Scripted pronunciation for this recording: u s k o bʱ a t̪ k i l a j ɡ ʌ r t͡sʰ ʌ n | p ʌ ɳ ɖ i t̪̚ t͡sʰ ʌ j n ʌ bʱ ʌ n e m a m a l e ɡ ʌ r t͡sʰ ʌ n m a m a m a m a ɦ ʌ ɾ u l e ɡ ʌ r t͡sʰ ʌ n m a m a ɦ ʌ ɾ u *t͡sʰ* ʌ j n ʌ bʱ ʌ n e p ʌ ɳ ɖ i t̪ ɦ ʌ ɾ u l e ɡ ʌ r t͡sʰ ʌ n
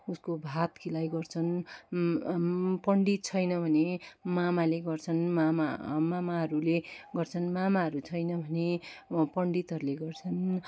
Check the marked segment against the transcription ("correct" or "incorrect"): correct